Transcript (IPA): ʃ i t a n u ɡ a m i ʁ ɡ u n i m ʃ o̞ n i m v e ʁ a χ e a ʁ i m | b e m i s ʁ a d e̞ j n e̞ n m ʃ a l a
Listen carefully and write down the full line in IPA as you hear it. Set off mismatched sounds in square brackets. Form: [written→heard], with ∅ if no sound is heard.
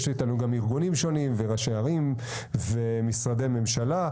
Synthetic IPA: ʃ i t a n u ɡ a m i ʁ ɡ u n i m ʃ o̞ n i m v e ʁ a [χ→ʃ] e a ʁ i m | [b→v] e m i s ʁ a d e̞ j [n→m] e̞ [n→∅] m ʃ a l a

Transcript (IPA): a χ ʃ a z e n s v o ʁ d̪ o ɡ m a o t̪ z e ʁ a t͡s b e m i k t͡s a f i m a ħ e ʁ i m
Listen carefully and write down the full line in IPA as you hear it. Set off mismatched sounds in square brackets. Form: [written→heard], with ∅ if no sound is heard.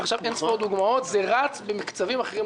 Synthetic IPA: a χ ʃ a [z→v] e n s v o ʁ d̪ [o→u] ɡ m a o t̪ z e ʁ a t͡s b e m i k t͡s a [f→v] i m a [ħ→χ] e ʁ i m

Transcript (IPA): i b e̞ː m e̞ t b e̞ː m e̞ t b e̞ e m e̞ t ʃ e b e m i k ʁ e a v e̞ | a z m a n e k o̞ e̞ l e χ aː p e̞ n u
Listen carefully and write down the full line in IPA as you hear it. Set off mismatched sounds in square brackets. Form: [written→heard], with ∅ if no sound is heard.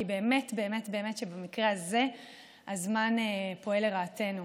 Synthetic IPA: i b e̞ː m e̞ t b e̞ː m e̞ t b e̞ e m e̞ t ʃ e b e m i k ʁ e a [v→z] e̞ | a z m a n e [k→p] o̞ e̞ l e [χ→ʁ] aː [p→t] e̞ n u

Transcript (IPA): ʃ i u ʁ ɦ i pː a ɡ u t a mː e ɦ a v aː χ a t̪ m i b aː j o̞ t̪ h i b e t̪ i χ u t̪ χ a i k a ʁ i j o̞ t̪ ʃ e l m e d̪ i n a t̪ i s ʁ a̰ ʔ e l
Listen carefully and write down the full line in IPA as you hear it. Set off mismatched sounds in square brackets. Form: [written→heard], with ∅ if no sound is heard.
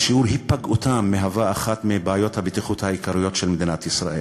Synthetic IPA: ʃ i u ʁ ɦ i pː a ɡ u t a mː e ɦ a v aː χ a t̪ m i b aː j o̞ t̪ h [i→a] b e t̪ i χ u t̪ [χ→h] a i k a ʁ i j o̞ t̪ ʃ e l m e d̪ i n a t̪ i s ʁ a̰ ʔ e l

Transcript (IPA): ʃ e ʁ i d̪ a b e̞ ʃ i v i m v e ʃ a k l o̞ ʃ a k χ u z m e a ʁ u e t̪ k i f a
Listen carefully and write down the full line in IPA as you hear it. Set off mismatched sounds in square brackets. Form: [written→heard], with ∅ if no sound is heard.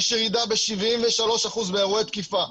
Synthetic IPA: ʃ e ʁ i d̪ a b e̞ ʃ i v i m v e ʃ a [k→∅] l o̞ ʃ a [k→∅] χ u z [m→b] e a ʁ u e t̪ k i f a

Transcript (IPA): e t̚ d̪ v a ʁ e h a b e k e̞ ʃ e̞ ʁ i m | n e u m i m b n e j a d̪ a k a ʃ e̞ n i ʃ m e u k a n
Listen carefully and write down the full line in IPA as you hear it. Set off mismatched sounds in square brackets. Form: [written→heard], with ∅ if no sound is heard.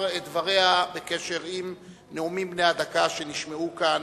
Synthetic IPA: e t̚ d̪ v a ʁ e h a b e k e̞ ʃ e̞ ʁ i m | n e u m i m b n e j a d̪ a k a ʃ e̞ n i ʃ m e u k a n

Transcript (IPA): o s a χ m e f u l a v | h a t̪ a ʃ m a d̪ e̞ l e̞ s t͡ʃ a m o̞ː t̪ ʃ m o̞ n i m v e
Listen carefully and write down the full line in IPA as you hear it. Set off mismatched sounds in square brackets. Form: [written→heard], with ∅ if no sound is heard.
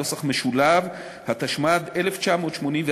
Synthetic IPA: o s a χ m e [f→ʃ] u l a v | h a t̪ a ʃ m a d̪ e̞ l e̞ [s→f] t͡ʃ a m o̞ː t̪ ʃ m o̞ n i m v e

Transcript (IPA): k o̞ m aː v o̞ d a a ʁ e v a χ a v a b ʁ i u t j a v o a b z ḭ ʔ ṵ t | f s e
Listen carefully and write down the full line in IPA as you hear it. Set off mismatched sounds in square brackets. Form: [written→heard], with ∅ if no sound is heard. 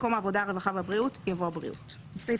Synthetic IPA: k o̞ m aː v o̞ d a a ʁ e v a χ a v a b ʁ i u t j a v o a b [z→ʁ] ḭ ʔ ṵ t | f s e

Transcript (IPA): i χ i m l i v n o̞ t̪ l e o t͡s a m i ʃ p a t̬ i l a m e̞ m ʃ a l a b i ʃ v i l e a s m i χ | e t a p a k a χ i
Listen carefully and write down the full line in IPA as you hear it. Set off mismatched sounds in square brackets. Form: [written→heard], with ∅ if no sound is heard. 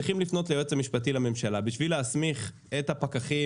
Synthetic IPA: i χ i m l i [v→f] n o̞ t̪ l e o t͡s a m i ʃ p a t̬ i l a m e̞ m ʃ a l a b i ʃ v i l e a s m i χ | e t a p a k a χ i

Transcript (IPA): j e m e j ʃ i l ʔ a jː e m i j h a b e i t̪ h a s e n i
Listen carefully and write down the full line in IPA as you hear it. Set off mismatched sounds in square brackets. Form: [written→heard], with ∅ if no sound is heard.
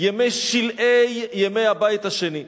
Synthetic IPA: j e m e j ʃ i l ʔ [a→e] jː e m [i→e] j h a b [e→a] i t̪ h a [s→ʃ] e n i

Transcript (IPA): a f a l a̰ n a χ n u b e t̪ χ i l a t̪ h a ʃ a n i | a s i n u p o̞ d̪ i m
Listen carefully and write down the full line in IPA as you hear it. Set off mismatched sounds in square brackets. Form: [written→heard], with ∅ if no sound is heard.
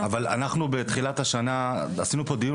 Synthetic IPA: a [f→v] a l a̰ n a χ n u b e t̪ χ i l a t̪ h a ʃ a n [i→a] | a s i n u p o̞ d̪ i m

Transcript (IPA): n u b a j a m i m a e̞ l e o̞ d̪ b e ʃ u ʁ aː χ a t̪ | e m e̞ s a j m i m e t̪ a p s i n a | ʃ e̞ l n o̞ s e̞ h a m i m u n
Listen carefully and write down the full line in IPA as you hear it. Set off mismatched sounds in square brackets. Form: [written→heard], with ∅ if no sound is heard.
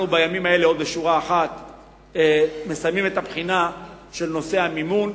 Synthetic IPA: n u b a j a m i m a e̞ l e o̞ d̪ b e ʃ u ʁ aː χ a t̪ | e m e̞ s a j m i m e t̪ a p [s→χ] i n a | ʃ e̞ l n o̞ s e̞ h a m i m u n

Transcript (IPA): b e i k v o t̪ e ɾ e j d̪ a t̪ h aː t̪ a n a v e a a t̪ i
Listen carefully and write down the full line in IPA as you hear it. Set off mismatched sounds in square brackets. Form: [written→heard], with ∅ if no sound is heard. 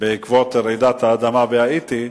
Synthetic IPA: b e i k v o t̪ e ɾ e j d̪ a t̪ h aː [t̪→d̪] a [n→m] a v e a [a→i] t̪ i

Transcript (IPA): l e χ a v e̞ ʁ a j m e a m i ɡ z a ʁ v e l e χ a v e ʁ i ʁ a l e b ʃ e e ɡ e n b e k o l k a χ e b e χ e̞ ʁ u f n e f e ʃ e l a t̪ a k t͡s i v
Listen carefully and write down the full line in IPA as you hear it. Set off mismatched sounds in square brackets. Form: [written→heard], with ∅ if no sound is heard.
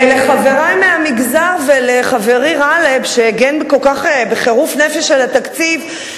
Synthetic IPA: l e χ a v e̞ ʁ a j m e a m i ɡ z a ʁ v e l e χ a v e ʁ i ʁ a l e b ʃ e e ɡ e n b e k o l k a χ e b e χ e̞ ʁ u f n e f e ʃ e l a t̪ a k t͡s i v

